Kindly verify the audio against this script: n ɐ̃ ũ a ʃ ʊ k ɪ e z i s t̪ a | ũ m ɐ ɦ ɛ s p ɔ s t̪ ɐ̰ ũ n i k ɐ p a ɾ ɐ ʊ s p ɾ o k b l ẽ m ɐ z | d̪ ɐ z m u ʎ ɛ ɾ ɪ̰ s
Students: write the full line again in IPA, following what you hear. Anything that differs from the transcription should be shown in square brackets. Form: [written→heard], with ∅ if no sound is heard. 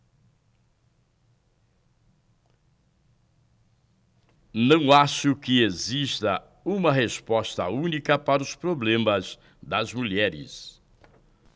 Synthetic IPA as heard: n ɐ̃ [ũ→w̃] a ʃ ʊ k ɪ e z i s t̪ [a→ɐ] | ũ m ɐ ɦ [ɛ→e] s p ɔ s t̪ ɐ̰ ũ n i k ɐ p a ɾ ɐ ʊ s p ɾ o [k→∅] b l ẽ m ɐ z | d̪ ɐ z m u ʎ ɛ ɾ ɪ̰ s